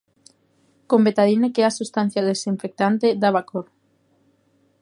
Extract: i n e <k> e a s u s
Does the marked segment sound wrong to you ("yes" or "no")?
no